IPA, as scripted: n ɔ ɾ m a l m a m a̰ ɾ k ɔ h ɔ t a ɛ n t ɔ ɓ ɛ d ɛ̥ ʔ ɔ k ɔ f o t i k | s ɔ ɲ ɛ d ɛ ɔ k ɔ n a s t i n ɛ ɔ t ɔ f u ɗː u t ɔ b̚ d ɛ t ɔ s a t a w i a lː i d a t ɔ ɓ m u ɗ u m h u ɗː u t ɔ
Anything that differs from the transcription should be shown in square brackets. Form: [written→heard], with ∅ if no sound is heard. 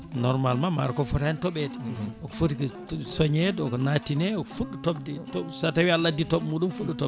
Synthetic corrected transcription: n ɔ ɾ m a l m a m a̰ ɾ k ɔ [h→f] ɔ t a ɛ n t ɔ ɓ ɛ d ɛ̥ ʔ ɔ k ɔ f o t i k | s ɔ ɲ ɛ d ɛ ɔ k ɔ n a [s→∅] t i n ɛ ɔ [t→k] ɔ f u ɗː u t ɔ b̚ d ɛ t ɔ s a t a w i a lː [i→a] d [a→i] t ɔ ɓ m u ɗ u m [h→f] u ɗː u t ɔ